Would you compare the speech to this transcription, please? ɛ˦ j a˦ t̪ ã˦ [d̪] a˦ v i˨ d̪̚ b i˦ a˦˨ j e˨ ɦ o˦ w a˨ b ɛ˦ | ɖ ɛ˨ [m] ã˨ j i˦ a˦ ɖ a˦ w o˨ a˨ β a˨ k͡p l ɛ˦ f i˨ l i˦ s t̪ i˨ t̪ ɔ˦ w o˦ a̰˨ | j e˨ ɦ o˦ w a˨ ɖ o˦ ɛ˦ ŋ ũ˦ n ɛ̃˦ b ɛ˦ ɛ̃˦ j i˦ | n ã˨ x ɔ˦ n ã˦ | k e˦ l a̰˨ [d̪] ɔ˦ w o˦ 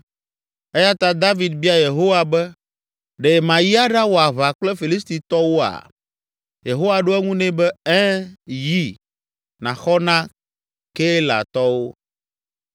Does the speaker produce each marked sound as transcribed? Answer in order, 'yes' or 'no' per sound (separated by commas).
yes, yes, no